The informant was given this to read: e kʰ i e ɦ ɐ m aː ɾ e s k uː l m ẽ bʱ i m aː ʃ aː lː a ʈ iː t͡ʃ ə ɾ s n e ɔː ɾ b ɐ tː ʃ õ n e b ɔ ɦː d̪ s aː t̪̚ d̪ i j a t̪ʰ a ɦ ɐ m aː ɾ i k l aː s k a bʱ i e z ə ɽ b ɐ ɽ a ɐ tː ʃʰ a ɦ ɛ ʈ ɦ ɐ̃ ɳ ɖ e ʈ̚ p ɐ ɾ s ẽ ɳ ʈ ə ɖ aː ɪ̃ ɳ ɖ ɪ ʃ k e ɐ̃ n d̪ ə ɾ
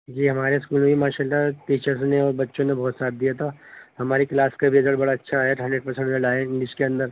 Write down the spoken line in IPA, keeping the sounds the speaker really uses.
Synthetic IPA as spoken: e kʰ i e ɦ ɐ m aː ɾ e s k uː l m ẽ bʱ i m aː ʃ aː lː a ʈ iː t͡ʃ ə ɾ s n e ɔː ɾ b ɐ tː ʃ õ n e b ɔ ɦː t̪ s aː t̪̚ d̪ i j a t̪ʰ a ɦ ɐ m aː ɾ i k l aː s k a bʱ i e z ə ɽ b ɐ ɽ a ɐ tː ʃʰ a ɦ ɛ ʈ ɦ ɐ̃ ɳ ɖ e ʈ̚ p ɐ ɾ s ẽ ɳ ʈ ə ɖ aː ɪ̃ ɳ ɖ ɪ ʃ k e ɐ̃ n d̪ ə ɾ

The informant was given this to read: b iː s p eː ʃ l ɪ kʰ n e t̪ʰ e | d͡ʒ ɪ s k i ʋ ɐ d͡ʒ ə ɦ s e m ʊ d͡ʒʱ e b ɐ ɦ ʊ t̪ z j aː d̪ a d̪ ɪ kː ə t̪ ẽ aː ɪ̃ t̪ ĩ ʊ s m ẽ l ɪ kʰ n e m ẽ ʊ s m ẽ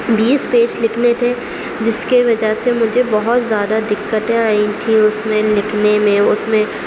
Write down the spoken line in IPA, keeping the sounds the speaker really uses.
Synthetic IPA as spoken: b iː s p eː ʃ l ɪ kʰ n e t̪ʰ e | d͡ʒ ɪ s k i ʋ ɐ d͡ʒ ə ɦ s e m ʊ d͡ʒʱ e b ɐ ɦ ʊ t̪ z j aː d̪ a d̪ ɪ kː ə t̪ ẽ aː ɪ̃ t̪ʰ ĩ ʊ s m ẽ l ɪ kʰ n e m ẽ ʊ s m ẽ

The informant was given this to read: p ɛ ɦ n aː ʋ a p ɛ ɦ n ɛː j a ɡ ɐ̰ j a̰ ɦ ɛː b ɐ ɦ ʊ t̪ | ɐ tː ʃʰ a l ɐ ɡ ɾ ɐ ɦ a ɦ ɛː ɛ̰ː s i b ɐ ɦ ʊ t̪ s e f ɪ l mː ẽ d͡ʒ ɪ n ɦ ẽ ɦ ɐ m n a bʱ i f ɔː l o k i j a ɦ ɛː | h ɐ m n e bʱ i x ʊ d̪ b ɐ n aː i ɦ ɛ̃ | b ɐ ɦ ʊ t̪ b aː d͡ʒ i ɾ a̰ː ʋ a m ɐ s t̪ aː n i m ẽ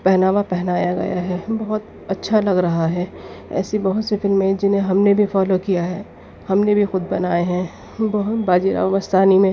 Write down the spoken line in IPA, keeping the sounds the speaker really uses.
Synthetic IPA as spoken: p ɛ ɦ n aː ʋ a p ɛ ɦ n aː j a ɡ ɐ̰ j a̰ ɦ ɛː b ɐ ɦ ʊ t̪ | ɐ tː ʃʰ a l ɐ ɡ ɾ ɐ ɦ a ɦ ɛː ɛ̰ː s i b ɐ ɦ ʊ t̪ s e f ɪ l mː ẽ d͡ʒ ɪ n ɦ ẽ ɦ ɐ m n e bʱ i f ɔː l o k i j a ɦ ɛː | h ɐ m n e bʱ i x ʊ d̪ b ɐ n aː e ɦ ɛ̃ | b ɐ ɦ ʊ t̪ b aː d͡ʒ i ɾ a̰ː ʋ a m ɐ s t̪ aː n i m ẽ

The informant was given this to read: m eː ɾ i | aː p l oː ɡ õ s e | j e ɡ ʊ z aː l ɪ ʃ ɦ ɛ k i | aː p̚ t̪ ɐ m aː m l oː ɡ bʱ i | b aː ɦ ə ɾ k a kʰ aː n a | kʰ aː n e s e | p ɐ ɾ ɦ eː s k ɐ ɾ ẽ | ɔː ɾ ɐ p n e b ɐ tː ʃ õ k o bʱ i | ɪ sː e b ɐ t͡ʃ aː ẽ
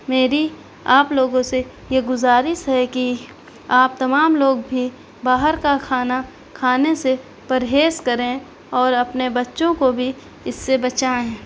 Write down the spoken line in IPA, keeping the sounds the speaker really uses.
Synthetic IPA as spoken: m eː ɾ i | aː p l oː ɡ õ s e | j e ɡ ʊ z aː ɾ ɪ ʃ ɦ ɛ k i | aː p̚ t̪ ɐ m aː m l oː ɡ bʱ i | b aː ɦ ə ɾ k a kʰ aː n a | kʰ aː n e s e | p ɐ ɾ ɦ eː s k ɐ ɾ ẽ | ɔː ɾ ɐ p n e b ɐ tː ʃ õ k o bʱ i | ɪ sː e b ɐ t͡ʃ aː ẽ

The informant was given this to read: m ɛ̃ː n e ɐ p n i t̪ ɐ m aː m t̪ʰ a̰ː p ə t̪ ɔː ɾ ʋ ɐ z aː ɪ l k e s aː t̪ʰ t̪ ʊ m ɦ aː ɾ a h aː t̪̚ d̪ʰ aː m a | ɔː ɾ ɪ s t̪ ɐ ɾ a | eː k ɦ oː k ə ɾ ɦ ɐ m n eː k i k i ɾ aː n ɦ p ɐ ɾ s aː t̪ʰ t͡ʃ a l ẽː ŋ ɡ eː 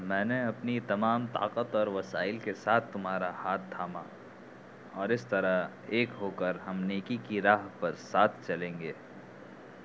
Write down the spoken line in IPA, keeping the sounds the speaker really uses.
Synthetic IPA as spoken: m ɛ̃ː n e ɐ p n i t̪ ɐ m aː m t̪ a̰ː q ə t̪ ɔː ɾ ʋ ɐ s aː ɪ l k e s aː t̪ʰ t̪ ʊ m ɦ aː ɾ a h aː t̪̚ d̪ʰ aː m a | ɔː ɾ ɪ s t̪ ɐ ɾ a | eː k ɦ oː k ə ɾ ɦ ɐ m n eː k i k i ɾ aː ɦ p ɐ ɾ s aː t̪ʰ t͡ʃ ɐ l ẽː ŋ ɡ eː

